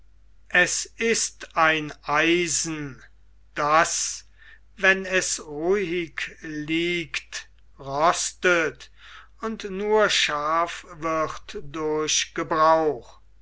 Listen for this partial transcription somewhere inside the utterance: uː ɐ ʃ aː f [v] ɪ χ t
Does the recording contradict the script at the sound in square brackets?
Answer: no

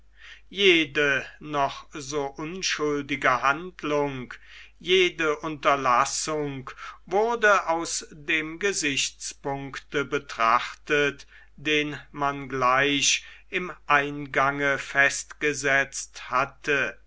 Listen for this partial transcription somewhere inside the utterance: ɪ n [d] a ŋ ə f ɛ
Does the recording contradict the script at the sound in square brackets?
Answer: yes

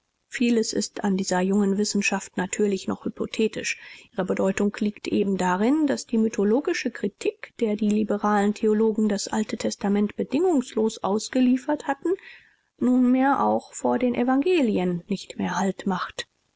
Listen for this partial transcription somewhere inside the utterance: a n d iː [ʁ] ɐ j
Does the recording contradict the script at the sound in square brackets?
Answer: yes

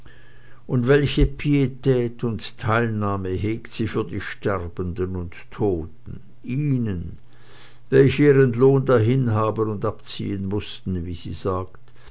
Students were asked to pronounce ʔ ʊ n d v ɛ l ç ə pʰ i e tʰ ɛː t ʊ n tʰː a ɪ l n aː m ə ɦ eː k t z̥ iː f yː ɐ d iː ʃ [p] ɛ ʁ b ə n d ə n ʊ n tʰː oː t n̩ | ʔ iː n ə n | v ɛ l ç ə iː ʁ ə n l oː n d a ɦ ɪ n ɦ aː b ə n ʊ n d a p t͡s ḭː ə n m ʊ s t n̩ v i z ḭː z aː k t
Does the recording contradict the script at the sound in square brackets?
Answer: yes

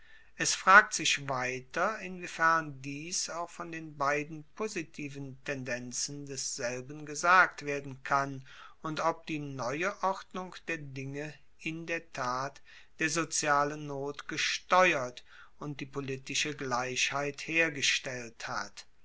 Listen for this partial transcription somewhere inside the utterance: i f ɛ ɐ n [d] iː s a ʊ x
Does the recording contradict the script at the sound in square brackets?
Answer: no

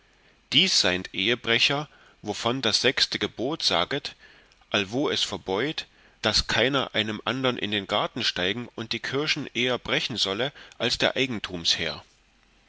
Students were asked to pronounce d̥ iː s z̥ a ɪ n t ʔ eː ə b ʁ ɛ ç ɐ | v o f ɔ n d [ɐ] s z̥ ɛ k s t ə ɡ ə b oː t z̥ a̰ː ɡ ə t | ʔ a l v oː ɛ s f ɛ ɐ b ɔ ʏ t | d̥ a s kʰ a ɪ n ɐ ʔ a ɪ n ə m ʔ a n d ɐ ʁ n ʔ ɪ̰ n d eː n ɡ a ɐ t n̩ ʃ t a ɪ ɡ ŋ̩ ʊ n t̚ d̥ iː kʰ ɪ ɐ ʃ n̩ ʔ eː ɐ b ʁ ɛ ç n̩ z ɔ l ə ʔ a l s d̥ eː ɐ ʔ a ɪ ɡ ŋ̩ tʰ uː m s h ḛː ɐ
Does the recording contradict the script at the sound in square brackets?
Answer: yes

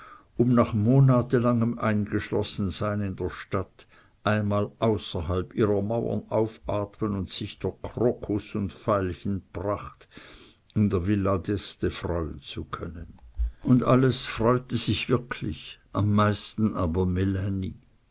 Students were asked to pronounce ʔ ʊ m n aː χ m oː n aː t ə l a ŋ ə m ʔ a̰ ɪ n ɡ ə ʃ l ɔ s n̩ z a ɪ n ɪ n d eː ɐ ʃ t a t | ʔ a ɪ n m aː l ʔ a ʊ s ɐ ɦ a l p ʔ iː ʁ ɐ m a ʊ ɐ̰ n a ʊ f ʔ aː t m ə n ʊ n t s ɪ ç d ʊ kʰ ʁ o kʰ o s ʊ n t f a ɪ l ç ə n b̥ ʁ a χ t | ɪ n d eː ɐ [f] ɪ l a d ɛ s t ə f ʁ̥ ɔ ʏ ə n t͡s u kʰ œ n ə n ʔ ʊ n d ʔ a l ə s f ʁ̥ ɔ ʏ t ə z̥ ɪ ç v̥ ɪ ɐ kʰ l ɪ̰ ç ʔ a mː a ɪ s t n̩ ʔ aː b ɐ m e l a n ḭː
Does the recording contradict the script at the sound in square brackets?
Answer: yes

